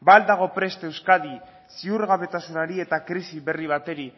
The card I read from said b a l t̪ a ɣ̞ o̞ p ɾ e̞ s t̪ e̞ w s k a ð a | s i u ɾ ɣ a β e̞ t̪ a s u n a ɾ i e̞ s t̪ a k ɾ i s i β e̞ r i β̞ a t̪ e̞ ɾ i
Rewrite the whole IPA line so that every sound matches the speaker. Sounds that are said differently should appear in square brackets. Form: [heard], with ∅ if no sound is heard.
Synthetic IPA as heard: b a l [d̪] a ɣ̞ o̞ p ɾ e̞ s t̪ e̞ w s k a ð [i] | s i u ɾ ɣ a β e̞ t̪ a s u n a ɾ i e̞ [∅] t̪ a k ɾ i s i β e̞ r i β̞ a t̪ e̞ ɾ i